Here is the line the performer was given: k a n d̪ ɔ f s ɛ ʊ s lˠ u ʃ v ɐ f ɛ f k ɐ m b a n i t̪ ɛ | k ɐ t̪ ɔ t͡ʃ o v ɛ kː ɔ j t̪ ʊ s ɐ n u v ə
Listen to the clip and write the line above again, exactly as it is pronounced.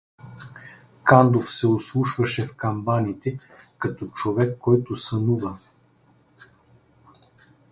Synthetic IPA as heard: k a n d̪ o f s ɛ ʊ s lˠ u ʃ v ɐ ʃ ɛ f k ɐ m b a n i t̪ ɛ | k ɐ t̪ ɔ t͡ʃ o v ɛ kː ɔ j t̪ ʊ s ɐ n u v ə